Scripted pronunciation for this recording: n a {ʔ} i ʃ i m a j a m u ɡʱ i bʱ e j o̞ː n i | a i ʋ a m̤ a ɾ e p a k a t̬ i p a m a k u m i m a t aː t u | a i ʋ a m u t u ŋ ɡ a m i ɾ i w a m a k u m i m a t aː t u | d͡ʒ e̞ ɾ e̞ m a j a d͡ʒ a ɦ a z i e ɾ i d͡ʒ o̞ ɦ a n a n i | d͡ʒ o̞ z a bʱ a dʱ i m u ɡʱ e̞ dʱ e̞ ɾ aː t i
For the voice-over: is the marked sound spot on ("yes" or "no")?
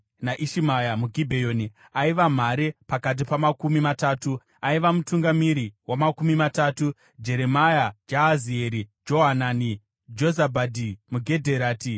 yes